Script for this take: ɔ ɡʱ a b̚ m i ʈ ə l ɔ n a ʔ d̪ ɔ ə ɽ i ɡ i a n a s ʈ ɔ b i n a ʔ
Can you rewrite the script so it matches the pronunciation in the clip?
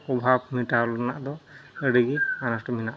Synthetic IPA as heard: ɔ bʱ a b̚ m i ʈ a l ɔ n a ʔ d̪ ɔ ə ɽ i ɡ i a n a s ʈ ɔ m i n a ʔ